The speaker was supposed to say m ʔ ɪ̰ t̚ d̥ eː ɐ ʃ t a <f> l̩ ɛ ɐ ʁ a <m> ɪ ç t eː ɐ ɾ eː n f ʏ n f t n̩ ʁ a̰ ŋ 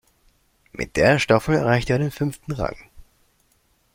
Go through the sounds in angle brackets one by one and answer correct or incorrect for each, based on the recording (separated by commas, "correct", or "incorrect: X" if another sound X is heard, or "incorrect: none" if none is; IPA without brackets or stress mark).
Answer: correct, incorrect: none